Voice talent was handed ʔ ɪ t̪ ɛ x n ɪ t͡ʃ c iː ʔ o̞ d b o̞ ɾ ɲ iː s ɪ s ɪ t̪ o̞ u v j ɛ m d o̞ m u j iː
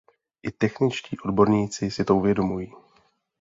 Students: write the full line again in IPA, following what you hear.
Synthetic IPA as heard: ʔ ɪ t̪ ɛ x n ɪ t͡ʃ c iː ʔ o̞ d b o̞ ɾ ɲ iː t͡s ɪ s ɪ t̪ o̞ u v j ɛ d o̞ m u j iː